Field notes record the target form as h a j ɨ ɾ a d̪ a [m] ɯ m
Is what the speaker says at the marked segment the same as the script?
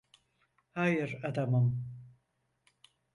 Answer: yes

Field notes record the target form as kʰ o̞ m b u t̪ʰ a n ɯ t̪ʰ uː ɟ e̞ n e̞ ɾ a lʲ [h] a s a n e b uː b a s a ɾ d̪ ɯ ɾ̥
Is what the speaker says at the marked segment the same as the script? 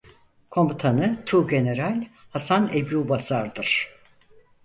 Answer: yes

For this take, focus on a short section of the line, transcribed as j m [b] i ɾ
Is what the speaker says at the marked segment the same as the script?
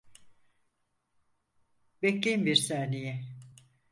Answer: yes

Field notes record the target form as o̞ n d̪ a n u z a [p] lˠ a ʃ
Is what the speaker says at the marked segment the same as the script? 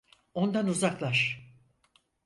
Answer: no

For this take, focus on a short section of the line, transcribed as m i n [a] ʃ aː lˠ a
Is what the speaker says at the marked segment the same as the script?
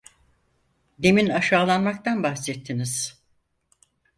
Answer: yes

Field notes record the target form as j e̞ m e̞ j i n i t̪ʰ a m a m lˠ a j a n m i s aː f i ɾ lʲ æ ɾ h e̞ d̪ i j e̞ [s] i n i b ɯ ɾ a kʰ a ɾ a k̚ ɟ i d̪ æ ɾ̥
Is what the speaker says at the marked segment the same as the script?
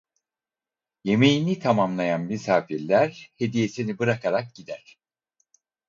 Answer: yes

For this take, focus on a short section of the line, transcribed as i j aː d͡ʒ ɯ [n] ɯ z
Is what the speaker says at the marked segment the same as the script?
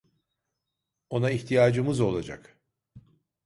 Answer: no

